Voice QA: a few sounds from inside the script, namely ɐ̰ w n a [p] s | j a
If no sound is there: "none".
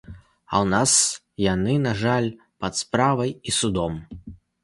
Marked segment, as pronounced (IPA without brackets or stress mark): none